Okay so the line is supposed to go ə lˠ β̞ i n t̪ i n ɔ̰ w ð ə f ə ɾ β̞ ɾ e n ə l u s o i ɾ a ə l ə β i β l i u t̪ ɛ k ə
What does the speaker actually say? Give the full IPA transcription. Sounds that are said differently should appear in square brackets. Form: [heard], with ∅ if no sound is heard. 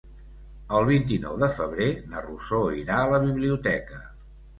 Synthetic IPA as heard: ə lˠ β̞ i n t̪ i n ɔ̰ w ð ə f ə [∅] β̞ ɾ e n ə [r] u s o i ɾ a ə l ə β i β l i u t̪ ɛ k ə